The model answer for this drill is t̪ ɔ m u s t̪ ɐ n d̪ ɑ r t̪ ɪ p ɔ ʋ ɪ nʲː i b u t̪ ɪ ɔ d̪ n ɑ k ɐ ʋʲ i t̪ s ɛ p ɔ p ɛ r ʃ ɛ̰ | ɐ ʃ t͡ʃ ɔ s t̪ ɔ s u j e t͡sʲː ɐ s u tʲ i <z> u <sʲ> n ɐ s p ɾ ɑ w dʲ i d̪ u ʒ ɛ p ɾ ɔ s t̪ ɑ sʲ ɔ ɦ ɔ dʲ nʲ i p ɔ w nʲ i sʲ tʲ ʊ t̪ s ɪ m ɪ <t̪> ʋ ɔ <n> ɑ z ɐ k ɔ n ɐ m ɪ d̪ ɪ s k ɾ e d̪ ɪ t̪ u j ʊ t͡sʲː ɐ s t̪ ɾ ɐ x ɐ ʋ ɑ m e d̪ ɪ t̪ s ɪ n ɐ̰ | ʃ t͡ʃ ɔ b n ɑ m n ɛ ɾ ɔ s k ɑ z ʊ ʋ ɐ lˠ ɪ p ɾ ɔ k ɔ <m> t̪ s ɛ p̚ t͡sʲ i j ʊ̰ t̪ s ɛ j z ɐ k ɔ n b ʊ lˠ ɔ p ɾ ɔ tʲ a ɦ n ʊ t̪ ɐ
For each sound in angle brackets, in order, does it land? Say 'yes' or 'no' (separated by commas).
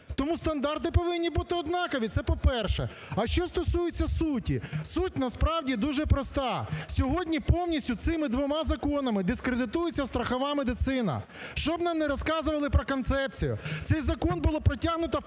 no, no, no, no, no